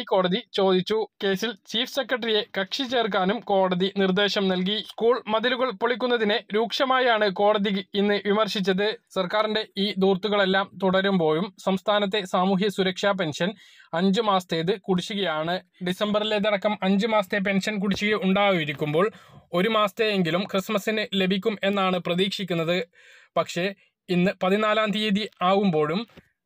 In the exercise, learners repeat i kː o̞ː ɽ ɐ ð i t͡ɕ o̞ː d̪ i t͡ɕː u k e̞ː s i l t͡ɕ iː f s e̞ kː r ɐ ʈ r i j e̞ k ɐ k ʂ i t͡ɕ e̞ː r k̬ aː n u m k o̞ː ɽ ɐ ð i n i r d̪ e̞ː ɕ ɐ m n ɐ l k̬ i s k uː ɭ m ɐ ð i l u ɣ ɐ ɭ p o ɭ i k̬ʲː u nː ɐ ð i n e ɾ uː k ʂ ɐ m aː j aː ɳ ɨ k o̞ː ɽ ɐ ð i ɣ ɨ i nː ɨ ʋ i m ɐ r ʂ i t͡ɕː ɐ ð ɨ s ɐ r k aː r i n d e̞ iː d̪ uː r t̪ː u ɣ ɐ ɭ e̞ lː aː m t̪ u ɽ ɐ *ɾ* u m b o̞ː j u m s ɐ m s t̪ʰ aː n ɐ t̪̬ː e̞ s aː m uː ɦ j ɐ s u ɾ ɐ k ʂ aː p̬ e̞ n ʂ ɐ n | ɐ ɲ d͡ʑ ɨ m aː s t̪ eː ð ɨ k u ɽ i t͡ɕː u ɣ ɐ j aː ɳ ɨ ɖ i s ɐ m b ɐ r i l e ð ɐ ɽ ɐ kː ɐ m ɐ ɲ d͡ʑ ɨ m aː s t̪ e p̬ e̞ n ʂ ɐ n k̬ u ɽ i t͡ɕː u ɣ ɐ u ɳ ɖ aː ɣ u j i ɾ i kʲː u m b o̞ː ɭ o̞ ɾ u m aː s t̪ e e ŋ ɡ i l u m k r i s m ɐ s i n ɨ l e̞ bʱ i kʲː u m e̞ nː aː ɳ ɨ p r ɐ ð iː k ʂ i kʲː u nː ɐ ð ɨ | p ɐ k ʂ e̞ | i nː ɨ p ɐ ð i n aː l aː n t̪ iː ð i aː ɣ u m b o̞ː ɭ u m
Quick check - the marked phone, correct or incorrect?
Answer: correct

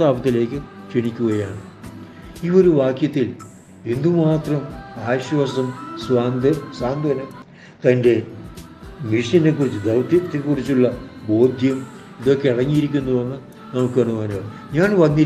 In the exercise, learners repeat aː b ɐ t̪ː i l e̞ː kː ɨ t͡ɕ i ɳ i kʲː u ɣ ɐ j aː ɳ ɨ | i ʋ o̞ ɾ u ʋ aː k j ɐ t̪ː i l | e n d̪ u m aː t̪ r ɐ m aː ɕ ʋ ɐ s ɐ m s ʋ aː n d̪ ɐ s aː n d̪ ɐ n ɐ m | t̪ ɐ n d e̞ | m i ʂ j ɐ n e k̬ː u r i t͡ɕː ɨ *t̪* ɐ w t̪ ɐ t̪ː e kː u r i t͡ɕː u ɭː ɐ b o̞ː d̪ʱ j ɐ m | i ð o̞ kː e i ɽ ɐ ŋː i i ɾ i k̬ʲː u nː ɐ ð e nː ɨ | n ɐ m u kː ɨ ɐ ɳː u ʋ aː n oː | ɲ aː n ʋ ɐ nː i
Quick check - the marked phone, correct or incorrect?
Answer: incorrect: d̪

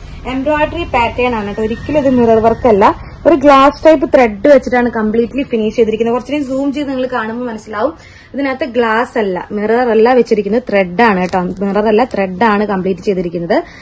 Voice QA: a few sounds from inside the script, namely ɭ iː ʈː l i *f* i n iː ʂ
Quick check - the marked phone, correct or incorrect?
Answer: correct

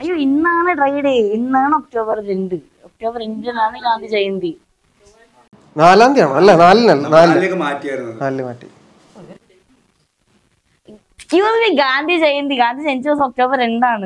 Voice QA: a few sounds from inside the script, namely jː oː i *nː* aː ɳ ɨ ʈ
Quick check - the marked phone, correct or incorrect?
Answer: correct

